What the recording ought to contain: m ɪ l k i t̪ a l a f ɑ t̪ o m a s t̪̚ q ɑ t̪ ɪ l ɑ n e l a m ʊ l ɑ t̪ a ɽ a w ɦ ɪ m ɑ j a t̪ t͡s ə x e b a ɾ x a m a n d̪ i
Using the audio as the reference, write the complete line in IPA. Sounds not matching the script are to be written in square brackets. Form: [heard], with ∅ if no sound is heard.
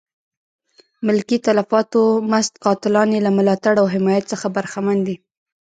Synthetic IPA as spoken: m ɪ l k i t̪ a l a f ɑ t̪ o m a s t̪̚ q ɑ t̪ ɪ l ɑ n e l a m ʊ l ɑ t̪ a ɽ a w ɦ ɪ m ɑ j a t̪ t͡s ə x [a] b a ɾ x a m a n d̪ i